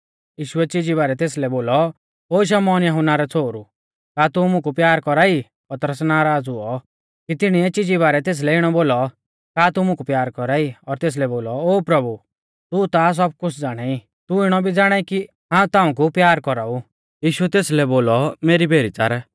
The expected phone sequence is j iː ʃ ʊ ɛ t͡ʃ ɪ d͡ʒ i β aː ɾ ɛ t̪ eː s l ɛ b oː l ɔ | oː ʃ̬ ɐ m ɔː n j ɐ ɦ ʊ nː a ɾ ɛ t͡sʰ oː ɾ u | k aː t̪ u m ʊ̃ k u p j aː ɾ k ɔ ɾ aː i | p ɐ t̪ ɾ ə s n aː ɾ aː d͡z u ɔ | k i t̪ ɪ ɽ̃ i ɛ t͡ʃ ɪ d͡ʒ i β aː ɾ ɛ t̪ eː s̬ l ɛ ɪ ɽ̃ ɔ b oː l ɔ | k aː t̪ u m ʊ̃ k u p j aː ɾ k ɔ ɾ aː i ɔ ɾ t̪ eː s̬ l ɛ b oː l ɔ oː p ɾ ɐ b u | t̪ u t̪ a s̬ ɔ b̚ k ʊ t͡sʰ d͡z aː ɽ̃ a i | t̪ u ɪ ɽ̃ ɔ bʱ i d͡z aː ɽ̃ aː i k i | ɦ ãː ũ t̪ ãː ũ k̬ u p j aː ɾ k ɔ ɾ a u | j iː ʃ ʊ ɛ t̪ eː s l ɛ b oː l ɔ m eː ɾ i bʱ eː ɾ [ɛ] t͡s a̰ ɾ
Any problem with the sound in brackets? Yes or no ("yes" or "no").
yes